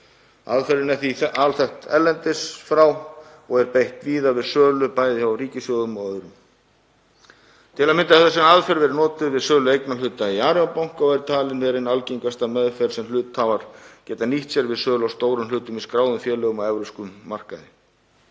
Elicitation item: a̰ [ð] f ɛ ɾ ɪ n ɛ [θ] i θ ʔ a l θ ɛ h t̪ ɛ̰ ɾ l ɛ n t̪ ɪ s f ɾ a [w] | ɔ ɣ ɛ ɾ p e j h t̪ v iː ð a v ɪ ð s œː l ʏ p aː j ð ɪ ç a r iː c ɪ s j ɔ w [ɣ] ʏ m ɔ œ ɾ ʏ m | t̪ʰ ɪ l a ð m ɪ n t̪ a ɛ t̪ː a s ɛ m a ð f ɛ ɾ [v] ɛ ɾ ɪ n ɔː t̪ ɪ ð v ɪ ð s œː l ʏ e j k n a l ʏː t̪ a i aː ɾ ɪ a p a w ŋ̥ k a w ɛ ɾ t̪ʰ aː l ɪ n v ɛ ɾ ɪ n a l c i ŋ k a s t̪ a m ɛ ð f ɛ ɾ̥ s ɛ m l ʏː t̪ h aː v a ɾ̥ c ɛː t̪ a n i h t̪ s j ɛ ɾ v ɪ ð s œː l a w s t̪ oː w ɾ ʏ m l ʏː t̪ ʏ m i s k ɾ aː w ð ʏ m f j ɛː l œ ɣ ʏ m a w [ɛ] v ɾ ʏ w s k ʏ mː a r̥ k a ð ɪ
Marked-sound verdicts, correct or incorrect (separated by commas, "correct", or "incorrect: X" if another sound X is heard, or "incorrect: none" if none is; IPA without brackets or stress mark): correct, correct, correct, incorrect: ð, correct, correct